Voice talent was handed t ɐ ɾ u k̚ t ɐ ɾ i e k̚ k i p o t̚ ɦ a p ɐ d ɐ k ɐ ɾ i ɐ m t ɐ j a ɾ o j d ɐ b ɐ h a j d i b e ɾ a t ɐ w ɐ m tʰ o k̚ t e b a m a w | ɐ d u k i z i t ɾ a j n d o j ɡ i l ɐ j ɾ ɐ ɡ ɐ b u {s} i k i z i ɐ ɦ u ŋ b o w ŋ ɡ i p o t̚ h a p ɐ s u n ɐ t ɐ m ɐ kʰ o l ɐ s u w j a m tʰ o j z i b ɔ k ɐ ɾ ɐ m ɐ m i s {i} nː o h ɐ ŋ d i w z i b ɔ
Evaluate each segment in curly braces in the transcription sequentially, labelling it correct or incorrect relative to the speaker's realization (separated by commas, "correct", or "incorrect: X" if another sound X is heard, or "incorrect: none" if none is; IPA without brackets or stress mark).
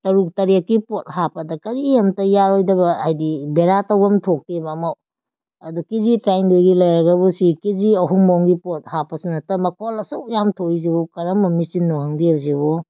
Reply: correct, correct